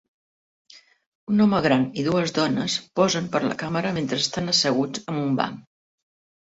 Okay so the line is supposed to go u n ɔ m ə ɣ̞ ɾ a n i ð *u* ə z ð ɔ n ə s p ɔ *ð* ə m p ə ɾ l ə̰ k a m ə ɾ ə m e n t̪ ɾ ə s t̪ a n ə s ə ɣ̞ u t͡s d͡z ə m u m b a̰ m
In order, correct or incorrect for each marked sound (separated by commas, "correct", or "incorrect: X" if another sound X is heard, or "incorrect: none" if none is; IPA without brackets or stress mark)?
correct, incorrect: z